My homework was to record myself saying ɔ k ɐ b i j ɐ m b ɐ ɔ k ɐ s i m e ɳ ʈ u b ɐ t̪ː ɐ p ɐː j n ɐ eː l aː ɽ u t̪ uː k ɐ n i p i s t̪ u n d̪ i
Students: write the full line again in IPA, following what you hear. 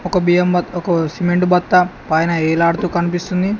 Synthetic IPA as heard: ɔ k ɐ b i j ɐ m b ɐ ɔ k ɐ s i m e ɳ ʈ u b ɐ t̪ː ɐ p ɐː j n ɐ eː l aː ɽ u t̪ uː k ɐ n i p i s t̪ u n d̪ i